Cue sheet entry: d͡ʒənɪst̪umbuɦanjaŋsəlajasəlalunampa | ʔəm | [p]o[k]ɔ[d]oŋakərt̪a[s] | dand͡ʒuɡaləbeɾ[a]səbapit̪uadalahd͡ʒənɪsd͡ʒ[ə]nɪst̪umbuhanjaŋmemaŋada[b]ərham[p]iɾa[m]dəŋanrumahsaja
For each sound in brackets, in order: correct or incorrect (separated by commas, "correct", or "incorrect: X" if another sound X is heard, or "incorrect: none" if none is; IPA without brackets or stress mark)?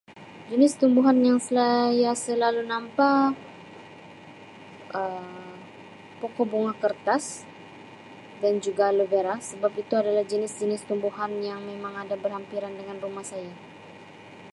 correct, correct, incorrect: b, correct, correct, correct, correct, correct, incorrect: n